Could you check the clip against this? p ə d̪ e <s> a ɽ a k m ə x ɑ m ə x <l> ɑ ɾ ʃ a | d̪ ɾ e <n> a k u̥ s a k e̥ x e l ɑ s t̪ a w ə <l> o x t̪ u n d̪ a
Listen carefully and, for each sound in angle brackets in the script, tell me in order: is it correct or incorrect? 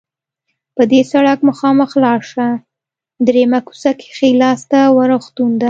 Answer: correct, correct, incorrect: m, incorrect: ɾ

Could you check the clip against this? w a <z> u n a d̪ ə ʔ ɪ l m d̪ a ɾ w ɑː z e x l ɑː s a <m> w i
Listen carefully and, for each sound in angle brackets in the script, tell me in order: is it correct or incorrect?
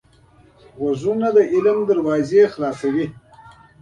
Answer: correct, incorrect: none

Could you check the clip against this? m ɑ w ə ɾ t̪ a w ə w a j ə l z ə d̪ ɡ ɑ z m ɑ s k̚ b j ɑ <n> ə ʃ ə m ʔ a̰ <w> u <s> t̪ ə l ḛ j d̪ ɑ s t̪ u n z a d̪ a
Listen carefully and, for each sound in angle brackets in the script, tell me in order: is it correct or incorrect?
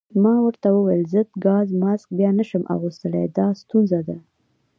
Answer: correct, incorrect: ɣ, correct

